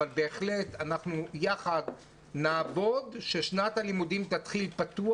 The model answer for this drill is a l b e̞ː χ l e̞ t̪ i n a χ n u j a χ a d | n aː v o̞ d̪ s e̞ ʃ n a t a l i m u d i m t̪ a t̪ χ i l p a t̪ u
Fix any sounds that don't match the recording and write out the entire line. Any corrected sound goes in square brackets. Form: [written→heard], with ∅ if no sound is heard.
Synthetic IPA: a l b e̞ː χ l e̞ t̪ [i→a] n a χ n u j a χ a d | n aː v o̞ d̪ [s→ʃ] e̞ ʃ n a t a l i m u d i m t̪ a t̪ χ i l p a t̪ u